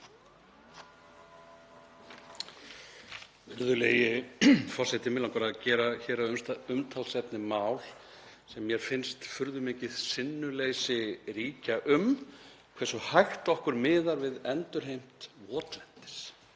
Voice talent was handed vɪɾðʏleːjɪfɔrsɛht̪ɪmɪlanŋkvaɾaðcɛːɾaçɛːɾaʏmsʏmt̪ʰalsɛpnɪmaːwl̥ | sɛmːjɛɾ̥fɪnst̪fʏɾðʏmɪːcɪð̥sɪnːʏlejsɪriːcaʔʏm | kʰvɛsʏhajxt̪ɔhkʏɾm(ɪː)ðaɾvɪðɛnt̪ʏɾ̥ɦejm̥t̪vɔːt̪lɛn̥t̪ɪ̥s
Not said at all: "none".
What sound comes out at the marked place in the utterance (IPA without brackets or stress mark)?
ɪː